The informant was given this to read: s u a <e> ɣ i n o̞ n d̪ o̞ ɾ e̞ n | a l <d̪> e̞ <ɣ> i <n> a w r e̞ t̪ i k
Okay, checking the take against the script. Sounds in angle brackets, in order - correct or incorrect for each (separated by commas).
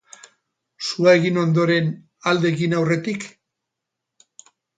correct, correct, correct, correct